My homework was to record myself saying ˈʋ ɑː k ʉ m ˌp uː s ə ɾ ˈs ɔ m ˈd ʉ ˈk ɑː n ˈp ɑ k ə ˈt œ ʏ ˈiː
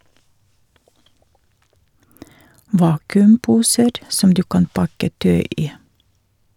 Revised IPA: ˈʋ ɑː k ʉ m ˌp uː s ə ɾ ˈs ɔ m ˈd ʉː ˈk ɑ n ˈp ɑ k ə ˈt œ ʏ ˈiː

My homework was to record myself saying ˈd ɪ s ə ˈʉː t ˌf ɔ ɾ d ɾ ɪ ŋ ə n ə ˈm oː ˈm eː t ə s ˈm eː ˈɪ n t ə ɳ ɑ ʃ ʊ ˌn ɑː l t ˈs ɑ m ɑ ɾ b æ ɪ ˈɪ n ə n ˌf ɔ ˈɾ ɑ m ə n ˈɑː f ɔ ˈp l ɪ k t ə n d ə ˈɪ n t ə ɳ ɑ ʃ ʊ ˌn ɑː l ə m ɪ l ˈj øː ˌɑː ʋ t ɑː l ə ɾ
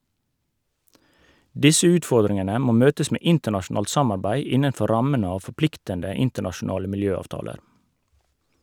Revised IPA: ˈd ɪ s ə ˈʉː t ˌf ɔ ɾ d ɾ ɪ ŋ ə n ə ˈm oː ˈm øː t ə s ˈm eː ˈɪ n t ə ɳ ɑ ʃ ʊ ˌn ɑː l t ˈs ɑ m ɑ ɾ b æ ɪ ˈɪ n ə n ˌf ɔ ˈɾ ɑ m ə n ˈɑː f ɔ ˈp l ɪ k t ə n d ə ˈɪ n t ə ɳ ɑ ʃ ʊ ˌn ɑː l ə m ɪ l ˈj øː ˌɑː ʋ t ɑː l ə ɾ

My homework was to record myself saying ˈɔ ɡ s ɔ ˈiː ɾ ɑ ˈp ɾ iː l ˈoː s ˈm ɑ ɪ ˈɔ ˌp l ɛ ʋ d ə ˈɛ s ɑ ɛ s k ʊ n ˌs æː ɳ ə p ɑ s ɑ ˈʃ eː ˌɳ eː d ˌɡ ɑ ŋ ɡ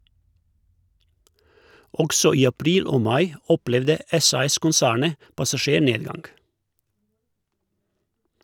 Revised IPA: ˈɔ ɡ s ɔ ˈiː ɑ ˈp ɾ iː l ˈoː ˈm ɑ ɪ ˈɔ ˌp l ɛ ʋ d ə ˈɛ s ɑ ɛ s k ʊ n ˌs æː ɳ ə p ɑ s ɑ ˈʃ eː ˌɳ eː d ˌɡ ɑ ŋ ɡ

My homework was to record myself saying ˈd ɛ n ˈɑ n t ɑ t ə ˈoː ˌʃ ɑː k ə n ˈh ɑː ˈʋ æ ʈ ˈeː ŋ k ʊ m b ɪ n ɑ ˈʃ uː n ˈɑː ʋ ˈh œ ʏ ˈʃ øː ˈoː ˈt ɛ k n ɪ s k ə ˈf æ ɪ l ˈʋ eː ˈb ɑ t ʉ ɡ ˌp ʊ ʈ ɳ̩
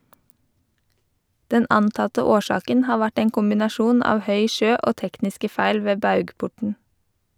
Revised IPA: ˈd ɛ n ˈɑ n t ɑ t ə ˈoː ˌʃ ɑː k ə n ˈh ɑː ˈʋ æ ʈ ˈeː ŋ k ʊ m b ɪ n ɑ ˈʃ uː n ˈɑː ʋ ˈh œ ʏ ˈʃ øː ˈoː ˈt ɛ k n ɪ s k ə ˈf æ ɪ l ˈʋ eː ˈb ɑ ʉ ɡ ˌp ʊ ʈ ɳ̩

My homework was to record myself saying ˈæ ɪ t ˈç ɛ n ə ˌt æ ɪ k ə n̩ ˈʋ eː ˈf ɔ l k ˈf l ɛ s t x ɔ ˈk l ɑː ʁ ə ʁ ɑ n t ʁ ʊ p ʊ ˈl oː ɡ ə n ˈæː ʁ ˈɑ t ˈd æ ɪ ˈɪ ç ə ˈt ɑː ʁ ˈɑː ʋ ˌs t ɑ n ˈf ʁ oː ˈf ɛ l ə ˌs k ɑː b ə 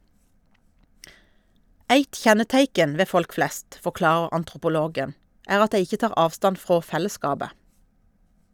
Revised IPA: ˈæ ɪ t ˈç ɛ n ə ˌt æ ɪ k ə n̩ ˈʋ eː ˈf ɔ l k ˈf l ɛ s t f ɔ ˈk l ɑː ʁ ə ʁ ɑ n t ʁ ʊ p ʊ ˈl oː ɡ ə n ˈæː ʁ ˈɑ t ˈd æ ɪ ˈɪ ç ə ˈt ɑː ʁ ˈɑː ʋ ˌs t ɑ n ˈf ʁ oː ˈf ɛ l ə ˌs k ɑː b ə

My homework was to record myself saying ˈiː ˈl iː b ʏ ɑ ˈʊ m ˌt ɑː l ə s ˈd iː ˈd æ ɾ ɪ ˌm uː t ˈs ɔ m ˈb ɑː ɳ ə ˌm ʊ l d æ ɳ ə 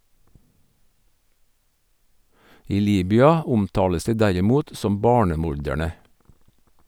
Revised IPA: ˈiː ˈl iː b ʏ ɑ ˈʊ m ˌt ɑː l ə s ˈd iː ˈd æ ɾ ɪ ˌm uː t ˈs ɔ m ˈb ɑː ɳ ə ˌm ʊ ɾ d æ ɳ ə

